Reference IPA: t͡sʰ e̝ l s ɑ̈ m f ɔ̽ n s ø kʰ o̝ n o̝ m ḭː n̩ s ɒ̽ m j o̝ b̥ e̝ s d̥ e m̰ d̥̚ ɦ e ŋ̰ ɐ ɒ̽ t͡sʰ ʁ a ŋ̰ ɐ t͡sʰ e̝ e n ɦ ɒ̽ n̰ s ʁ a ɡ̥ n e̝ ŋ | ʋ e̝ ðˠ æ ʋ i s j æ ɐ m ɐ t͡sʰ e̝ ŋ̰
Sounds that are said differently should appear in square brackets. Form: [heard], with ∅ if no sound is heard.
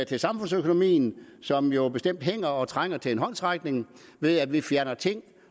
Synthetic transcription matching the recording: t͡sʰ e̝ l s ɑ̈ m f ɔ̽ n s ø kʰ o̝ n o̝ m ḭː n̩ s ɒ̽ m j o̝ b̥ e̝ s d̥ e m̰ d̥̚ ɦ e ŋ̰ ɐ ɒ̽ t͡sʰ ʁ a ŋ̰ ɐ t͡sʰ e̝ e n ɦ ɒ̽ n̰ s ʁ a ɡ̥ n e̝ ŋ | ʋ e̝ ðˠ æ ʋ i [f] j æ ɐ [n] ɐ t͡sʰ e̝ ŋ̰